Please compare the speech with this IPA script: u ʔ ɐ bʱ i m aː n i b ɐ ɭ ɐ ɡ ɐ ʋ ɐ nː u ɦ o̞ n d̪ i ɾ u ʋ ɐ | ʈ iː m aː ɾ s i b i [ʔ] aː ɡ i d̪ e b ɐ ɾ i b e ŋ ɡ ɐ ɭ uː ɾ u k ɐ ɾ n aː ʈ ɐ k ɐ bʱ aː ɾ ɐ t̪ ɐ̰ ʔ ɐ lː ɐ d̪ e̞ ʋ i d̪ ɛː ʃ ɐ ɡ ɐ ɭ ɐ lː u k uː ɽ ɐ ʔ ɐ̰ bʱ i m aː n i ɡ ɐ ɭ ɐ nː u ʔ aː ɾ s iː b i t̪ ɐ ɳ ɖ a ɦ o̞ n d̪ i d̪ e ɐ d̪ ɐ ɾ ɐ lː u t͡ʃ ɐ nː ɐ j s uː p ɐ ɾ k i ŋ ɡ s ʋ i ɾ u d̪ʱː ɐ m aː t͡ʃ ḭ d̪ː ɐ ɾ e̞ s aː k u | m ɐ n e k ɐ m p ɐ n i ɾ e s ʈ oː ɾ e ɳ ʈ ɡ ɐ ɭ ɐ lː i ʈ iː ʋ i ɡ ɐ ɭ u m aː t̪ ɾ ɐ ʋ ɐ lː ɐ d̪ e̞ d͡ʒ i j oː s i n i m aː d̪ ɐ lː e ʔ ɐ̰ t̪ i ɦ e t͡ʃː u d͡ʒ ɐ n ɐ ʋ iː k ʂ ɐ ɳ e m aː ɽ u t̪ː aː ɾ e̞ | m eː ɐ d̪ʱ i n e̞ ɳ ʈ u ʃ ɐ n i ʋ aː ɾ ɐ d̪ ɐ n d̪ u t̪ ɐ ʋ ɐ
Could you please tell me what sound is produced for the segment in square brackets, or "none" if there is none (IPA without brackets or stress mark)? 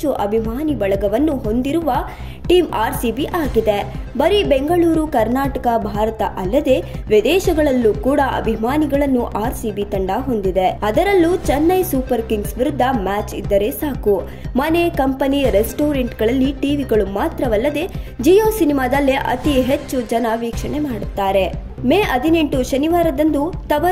ʔ